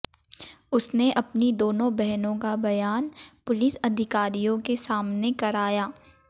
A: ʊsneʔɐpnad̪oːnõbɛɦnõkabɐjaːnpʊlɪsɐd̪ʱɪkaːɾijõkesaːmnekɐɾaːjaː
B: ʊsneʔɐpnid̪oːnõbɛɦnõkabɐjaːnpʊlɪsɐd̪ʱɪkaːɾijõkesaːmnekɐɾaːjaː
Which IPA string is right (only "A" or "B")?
B